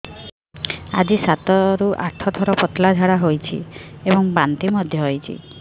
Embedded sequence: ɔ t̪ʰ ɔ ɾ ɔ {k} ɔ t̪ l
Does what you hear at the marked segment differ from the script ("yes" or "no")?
yes